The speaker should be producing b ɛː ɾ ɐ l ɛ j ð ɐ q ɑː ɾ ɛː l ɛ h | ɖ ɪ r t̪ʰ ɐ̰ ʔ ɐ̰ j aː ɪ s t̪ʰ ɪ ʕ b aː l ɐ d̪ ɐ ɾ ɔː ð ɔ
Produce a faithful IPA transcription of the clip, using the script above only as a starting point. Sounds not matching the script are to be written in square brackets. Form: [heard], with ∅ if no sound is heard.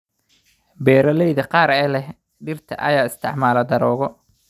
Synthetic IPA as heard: b ɛː ɾ ɐ l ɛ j ð ɐ q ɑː ɾ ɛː l ɛ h | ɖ ɪ r t̪ʰ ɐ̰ ʔ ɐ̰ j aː ɪ s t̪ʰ ɪ ʕ [m] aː l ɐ d̪ ɐ ɾ ɔː [ɣ] ɔ